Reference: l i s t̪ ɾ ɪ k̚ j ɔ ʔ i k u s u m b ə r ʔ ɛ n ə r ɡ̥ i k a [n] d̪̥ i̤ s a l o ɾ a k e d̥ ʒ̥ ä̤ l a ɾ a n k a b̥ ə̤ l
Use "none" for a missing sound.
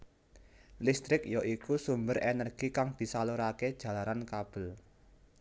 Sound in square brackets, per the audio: ŋ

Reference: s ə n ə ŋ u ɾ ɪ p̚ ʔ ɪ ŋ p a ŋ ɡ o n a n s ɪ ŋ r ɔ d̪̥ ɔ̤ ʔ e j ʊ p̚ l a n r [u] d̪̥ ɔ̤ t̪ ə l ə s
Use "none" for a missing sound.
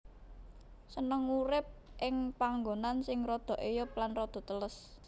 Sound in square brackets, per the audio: ɔ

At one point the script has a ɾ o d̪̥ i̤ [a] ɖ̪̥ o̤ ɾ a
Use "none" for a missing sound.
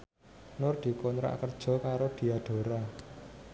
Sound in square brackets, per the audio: a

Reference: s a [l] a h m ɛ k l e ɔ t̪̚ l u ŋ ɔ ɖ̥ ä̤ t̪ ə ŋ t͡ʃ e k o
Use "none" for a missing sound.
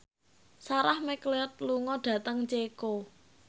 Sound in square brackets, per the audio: ɾ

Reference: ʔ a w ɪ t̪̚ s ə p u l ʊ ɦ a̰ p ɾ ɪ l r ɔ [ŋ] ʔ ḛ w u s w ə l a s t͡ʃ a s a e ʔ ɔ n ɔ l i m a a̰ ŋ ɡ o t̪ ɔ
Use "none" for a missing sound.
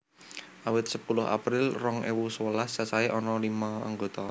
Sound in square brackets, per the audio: ŋ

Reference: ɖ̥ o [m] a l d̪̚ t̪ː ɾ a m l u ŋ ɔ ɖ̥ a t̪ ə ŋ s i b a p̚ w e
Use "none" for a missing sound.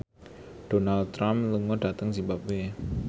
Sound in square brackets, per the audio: n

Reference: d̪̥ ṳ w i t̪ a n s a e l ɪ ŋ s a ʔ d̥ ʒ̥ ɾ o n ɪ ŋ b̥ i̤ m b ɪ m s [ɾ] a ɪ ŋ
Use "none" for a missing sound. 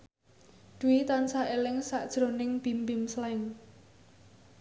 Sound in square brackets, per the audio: l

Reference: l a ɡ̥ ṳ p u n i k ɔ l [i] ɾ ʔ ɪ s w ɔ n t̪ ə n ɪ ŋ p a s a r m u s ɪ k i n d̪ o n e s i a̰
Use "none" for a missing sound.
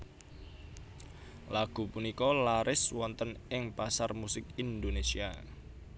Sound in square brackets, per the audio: a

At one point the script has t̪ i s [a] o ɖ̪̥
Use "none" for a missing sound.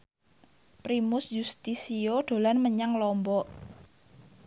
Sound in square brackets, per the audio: i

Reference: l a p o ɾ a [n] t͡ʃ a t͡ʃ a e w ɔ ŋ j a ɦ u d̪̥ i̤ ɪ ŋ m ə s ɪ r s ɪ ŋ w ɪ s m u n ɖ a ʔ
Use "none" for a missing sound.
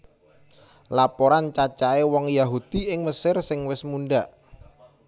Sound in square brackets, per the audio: n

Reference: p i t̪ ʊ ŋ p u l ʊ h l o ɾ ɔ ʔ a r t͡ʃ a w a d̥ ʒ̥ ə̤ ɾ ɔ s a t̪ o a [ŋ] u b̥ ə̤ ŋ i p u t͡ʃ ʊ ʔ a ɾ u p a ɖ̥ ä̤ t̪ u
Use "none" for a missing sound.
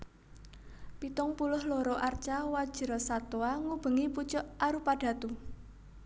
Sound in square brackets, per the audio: ŋ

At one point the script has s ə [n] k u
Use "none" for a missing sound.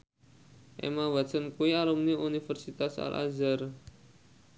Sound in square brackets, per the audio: n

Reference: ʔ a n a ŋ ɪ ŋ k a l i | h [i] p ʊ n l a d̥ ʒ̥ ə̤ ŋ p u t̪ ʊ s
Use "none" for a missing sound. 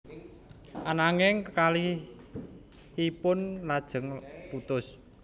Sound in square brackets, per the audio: i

